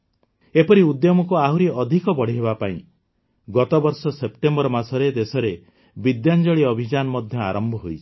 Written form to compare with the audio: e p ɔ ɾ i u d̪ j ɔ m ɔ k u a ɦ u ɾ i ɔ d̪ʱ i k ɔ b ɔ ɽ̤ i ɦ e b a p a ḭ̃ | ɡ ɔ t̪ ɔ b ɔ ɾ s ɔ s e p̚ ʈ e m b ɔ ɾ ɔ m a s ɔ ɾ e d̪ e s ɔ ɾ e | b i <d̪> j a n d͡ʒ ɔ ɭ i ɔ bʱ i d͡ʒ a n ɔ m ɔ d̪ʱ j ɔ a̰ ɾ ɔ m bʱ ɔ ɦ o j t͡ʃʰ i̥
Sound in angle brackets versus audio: correct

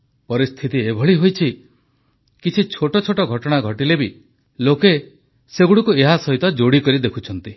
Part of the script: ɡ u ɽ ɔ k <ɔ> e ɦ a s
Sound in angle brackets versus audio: incorrect: u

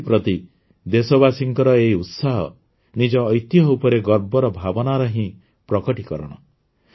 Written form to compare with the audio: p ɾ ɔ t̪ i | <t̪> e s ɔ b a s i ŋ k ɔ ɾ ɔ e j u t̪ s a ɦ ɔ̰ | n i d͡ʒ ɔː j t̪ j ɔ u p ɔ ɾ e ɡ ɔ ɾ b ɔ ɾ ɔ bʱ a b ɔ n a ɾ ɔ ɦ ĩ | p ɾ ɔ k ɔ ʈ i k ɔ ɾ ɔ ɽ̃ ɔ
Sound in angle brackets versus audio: incorrect: d̪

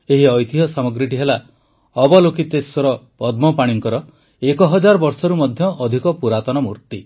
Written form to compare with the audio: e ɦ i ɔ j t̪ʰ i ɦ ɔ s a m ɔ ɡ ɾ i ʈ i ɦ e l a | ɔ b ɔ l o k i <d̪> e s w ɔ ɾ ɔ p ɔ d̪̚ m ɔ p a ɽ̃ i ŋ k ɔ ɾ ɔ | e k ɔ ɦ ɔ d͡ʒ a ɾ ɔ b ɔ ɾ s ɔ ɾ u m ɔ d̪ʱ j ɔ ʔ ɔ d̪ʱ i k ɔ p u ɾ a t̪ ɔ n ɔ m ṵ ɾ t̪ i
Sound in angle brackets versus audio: incorrect: t̪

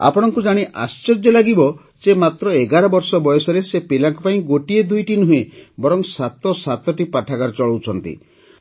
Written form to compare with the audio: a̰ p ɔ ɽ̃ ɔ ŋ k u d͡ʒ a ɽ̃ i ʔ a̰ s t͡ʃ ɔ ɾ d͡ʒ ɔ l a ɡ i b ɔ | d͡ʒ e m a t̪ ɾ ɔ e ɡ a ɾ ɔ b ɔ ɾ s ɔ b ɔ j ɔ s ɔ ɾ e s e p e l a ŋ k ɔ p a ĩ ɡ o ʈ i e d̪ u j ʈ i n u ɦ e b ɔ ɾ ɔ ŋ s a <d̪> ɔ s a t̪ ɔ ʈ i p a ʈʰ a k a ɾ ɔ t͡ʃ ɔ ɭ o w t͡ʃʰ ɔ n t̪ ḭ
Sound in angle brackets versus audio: incorrect: t̪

